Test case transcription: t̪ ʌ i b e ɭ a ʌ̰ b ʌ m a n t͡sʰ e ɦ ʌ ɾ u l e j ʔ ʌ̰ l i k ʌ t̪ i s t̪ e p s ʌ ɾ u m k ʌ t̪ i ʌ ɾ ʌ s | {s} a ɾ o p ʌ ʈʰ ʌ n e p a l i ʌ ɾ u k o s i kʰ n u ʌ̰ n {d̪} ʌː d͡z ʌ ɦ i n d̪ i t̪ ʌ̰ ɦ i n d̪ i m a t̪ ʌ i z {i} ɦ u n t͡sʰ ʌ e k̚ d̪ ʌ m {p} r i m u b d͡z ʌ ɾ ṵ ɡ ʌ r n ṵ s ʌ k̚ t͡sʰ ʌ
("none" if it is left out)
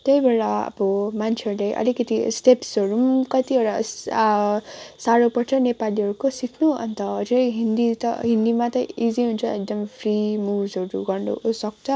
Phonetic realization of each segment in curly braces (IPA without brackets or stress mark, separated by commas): s, t̪, i, pʰ